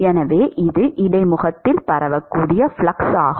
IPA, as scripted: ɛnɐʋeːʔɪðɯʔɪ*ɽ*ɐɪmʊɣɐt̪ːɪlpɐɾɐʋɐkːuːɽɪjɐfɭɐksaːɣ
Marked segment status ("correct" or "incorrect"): correct